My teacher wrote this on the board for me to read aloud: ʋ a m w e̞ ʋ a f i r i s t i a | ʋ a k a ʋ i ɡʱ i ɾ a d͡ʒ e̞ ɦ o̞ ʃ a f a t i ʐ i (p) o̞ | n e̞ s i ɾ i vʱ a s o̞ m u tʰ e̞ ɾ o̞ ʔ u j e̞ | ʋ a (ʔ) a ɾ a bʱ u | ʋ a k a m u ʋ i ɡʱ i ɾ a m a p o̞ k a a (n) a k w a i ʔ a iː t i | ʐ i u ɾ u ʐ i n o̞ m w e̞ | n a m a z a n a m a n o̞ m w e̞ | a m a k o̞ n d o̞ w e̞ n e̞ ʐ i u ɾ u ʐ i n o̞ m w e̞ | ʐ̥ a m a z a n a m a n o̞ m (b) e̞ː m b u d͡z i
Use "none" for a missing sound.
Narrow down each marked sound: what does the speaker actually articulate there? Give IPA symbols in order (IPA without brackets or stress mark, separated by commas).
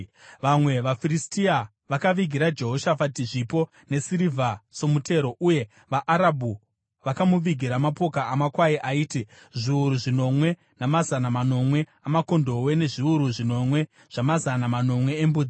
p, ʔ, m, w